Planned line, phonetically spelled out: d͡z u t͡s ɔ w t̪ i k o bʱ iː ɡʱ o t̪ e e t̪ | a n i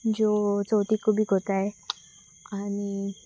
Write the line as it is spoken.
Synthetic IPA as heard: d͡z o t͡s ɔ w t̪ i k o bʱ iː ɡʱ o t̪ a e | a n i